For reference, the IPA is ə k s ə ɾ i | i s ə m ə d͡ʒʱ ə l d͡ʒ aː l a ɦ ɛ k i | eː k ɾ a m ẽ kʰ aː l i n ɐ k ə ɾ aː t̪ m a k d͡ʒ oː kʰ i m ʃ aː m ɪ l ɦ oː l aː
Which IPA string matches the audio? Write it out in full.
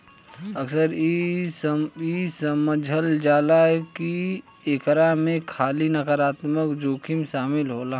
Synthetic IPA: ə k s ə ɾ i | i s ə m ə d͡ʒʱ ə l d͡ʒ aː l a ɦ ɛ k i | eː k ɾ a m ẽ kʰ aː l i n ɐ k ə ɾ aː t̪ m ə k d͡ʒ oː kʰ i m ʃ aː m ɪ l ɦ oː l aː